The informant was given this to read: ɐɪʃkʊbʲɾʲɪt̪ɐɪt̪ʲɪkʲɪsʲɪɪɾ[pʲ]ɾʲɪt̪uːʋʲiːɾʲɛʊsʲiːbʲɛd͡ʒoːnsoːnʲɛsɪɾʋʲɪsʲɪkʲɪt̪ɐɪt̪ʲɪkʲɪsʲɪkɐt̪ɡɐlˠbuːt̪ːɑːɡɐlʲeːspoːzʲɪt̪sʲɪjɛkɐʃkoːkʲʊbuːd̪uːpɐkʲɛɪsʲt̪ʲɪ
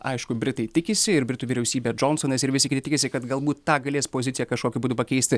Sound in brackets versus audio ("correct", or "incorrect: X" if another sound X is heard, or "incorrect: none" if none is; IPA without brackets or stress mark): incorrect: bʲ